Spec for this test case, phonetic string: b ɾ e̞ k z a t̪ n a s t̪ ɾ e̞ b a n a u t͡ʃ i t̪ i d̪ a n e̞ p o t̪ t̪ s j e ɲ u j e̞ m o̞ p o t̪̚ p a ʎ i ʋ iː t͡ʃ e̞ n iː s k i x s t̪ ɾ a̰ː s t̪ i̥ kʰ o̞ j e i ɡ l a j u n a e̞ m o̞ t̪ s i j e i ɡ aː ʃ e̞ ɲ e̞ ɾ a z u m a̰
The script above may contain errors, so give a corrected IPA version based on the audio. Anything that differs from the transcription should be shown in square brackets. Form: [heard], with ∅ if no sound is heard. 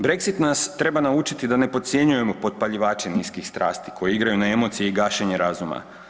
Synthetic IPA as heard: b ɾ e̞ k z [i] t̪ n a s t̪ ɾ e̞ b a n a u t͡ʃ i t̪ i d̪ a n e̞ p o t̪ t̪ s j e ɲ u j e̞ m o̞ p o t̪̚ p a ʎ i ʋ [aː] t͡ʃ e̞ n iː s k i x s t̪ ɾ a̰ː s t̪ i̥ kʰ o̞ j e i ɡ [ɾ] a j u n a e̞ m o̞ t̪ s i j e i ɡ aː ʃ e̞ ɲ e̞ ɾ a z u m a̰